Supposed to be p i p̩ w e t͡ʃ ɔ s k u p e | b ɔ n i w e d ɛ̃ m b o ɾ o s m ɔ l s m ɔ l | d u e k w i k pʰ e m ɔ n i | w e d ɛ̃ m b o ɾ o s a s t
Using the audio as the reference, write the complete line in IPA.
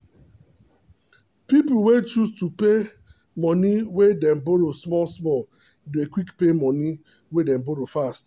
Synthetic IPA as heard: p i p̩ w e t͡ʃ u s t u p e | m ɔ n i w e d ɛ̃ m b o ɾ o s m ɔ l s m ɔ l | d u e k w i k p e m ɔ n i | w e d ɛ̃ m b o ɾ o f a s t